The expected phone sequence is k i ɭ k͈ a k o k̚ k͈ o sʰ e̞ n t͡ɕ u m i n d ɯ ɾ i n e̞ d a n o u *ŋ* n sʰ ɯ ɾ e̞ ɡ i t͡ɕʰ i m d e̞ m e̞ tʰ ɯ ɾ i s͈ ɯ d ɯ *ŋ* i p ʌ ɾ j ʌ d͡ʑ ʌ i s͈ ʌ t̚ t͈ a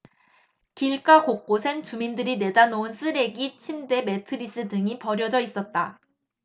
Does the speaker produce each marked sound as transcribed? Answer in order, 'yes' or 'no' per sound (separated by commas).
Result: no, yes